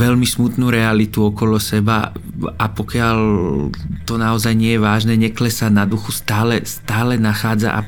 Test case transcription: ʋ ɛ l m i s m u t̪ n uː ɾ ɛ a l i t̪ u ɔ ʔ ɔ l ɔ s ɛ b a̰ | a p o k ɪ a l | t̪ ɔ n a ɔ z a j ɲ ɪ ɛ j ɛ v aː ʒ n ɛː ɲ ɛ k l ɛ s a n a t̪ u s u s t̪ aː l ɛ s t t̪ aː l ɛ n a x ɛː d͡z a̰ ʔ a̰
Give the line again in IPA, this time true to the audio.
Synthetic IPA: ʋ ɛ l m i s m u t̪ n uː ɾ ɛ a l i t̪ u ɔ k ɔ l ɔ s ɛ b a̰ | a p ɔ k ɪ a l | t̪ ɔ n a ɔ z a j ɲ ɪ ɛ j ɛ ʋ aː ʒ n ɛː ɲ ɛ k l ɛ s a n a d̪ u x u s t̪ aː l ɛ s t t̪ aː l ɛ n a x aː d͡z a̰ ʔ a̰